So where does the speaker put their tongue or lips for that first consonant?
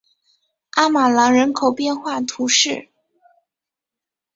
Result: lips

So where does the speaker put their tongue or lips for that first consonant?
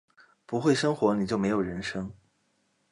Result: lips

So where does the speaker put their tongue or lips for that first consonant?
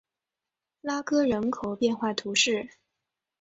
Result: tongue tip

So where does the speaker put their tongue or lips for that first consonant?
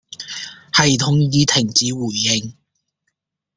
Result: throat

